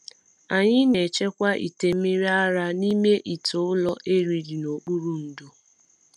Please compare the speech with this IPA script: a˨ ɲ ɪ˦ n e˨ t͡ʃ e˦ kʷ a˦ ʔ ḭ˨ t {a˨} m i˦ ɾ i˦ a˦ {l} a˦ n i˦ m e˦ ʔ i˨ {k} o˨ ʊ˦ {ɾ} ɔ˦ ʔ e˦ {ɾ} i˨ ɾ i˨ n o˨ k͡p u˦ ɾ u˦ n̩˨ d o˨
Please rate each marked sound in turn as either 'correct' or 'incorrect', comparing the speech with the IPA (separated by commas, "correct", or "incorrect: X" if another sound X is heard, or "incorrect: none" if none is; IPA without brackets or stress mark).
incorrect: e˨, incorrect: ɾ, incorrect: t, incorrect: l, correct